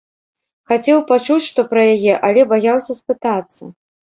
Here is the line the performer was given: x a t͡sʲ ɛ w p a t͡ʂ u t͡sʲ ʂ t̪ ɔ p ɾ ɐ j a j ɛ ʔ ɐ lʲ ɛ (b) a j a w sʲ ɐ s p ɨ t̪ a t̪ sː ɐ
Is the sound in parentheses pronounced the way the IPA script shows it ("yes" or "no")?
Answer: yes